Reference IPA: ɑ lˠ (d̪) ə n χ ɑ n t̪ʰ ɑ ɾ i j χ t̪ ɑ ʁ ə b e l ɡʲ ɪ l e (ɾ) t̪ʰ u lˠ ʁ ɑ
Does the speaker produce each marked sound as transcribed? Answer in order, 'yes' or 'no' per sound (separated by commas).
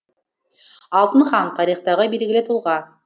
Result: no, no